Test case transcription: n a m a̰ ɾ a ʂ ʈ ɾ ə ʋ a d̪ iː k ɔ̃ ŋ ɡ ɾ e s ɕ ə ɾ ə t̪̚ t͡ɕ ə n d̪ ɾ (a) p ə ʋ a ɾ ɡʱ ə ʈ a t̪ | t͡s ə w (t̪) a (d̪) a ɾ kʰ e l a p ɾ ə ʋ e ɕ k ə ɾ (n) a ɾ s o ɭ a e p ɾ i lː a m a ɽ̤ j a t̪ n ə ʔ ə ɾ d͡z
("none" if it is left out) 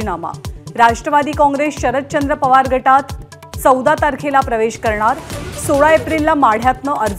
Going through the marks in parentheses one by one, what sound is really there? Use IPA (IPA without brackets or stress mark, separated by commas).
ə, d̪, t̪, ɳ